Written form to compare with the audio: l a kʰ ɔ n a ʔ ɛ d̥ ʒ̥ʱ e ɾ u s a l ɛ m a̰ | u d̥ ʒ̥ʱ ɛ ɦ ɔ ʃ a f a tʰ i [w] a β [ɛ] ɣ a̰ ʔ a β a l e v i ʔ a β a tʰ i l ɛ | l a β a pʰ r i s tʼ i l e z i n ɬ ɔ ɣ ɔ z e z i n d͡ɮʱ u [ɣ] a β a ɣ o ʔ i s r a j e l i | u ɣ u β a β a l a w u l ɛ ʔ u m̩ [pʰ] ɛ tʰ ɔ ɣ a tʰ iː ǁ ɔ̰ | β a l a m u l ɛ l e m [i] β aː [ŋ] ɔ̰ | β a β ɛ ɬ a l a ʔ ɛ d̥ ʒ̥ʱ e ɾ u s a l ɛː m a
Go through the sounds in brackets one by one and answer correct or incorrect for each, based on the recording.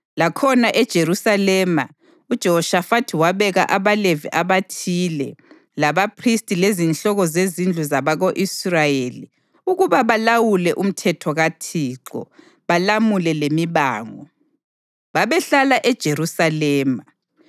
correct, correct, incorrect: z, incorrect: tʰ, correct, correct

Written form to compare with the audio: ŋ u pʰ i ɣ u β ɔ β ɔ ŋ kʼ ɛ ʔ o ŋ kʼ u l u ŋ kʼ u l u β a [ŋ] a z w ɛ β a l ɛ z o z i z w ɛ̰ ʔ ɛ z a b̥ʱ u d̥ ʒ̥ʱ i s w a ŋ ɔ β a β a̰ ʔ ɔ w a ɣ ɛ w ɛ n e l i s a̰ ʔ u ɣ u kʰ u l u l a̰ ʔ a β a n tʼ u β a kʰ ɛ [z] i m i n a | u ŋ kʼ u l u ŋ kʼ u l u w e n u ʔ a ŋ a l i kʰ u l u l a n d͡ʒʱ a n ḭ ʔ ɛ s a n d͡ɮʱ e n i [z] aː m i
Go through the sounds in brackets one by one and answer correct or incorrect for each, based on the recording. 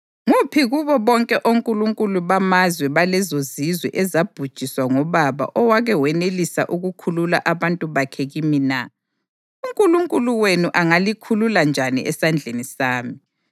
incorrect: m, incorrect: ɣ, incorrect: s

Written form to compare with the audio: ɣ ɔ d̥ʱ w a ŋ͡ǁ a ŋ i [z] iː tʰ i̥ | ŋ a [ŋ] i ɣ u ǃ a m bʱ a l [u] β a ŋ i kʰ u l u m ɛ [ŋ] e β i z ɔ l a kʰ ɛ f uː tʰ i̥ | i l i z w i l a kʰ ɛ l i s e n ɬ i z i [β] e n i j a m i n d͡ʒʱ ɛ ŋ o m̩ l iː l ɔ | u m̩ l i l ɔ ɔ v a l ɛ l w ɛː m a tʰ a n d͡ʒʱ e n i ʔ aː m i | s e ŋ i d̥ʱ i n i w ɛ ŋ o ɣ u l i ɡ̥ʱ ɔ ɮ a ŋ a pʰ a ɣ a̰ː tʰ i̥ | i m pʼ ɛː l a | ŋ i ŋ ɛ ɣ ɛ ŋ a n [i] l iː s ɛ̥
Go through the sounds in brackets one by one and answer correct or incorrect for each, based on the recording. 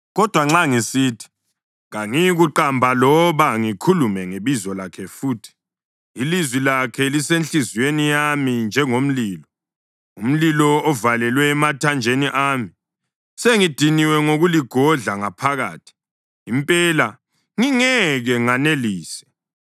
incorrect: s, correct, incorrect: ɔ, correct, incorrect: w, incorrect: e

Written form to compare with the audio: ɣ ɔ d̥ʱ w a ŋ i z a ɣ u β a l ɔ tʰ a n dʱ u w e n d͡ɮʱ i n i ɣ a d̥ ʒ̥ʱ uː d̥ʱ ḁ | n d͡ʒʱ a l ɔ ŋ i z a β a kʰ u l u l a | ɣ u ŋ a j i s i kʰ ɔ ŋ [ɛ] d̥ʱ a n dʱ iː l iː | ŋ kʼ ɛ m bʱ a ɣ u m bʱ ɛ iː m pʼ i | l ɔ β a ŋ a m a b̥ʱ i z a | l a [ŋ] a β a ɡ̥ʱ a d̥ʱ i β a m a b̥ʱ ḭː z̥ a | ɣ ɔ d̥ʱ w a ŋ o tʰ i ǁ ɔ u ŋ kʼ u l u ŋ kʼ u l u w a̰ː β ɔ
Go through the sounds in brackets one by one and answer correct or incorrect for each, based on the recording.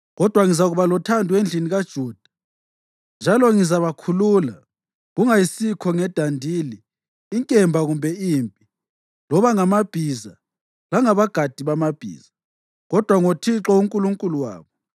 correct, correct

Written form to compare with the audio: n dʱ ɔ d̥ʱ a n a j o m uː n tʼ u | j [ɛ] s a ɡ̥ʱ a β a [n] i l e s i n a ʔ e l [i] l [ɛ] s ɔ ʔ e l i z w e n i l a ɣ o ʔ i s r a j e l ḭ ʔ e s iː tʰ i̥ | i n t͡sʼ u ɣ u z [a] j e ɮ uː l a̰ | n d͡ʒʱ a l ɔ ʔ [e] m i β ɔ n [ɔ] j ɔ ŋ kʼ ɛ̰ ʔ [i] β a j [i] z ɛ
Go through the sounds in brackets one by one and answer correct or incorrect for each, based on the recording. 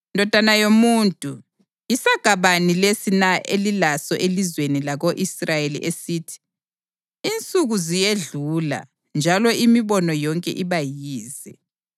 incorrect: i, correct, correct, incorrect: a, incorrect: i, incorrect: i, correct, correct, incorrect: iː

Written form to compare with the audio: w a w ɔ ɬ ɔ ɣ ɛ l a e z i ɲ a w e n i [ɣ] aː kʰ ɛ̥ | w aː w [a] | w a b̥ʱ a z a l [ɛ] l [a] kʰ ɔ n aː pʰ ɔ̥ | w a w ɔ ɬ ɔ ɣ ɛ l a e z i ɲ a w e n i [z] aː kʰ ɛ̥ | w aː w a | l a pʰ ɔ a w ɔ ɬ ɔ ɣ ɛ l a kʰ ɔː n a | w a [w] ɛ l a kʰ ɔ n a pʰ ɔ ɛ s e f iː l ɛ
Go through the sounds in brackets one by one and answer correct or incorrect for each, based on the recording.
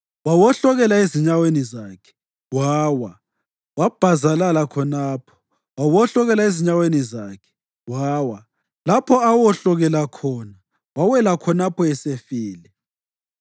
incorrect: z, correct, incorrect: a, correct, correct, correct

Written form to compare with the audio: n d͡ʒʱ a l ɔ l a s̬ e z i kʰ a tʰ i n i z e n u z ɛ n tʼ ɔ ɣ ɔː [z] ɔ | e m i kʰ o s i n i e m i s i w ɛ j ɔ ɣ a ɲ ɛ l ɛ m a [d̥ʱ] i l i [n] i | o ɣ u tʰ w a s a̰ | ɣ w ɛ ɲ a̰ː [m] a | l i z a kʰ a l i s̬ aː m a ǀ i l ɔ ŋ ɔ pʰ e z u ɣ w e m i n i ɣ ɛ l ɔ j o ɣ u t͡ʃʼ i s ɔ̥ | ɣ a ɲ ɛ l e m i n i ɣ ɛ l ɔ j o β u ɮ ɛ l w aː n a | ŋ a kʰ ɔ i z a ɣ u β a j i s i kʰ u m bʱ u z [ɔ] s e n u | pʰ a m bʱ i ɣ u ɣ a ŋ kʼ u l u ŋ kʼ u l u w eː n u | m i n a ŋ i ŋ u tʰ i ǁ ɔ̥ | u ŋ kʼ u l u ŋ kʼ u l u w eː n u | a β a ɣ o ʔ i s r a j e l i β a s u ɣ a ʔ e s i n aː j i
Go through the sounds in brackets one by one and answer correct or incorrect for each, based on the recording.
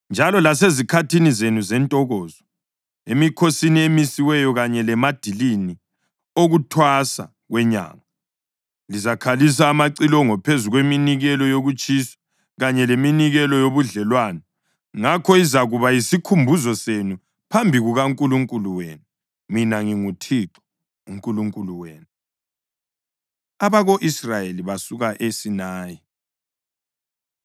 correct, correct, correct, incorrect: ŋ, correct

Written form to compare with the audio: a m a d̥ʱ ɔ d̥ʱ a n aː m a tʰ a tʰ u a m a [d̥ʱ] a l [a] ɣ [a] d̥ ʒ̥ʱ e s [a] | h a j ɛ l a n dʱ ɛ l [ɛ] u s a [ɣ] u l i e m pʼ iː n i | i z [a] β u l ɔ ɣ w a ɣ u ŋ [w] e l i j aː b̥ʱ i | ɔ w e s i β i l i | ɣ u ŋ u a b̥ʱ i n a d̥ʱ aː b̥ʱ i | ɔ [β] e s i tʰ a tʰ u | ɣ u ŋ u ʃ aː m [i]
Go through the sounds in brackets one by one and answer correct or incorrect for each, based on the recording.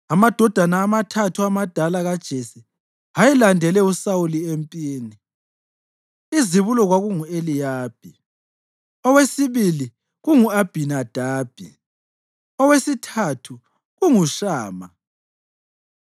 correct, correct, correct, incorrect: i, correct, incorrect: w, incorrect: i, incorrect: u, incorrect: w, incorrect: a

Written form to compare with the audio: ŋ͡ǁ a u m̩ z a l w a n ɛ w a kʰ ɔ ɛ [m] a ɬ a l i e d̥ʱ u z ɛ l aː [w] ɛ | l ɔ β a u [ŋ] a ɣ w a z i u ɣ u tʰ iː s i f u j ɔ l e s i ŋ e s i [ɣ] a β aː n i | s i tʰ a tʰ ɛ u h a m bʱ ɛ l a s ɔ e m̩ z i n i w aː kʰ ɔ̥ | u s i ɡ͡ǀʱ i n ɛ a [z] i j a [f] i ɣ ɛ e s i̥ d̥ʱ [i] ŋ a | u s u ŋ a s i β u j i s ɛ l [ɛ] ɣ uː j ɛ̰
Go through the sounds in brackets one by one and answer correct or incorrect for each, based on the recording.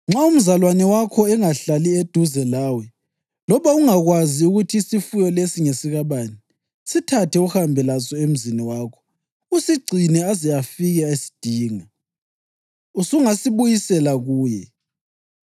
incorrect: ŋ, correct, correct, correct, correct, correct, incorrect: iː, incorrect: a

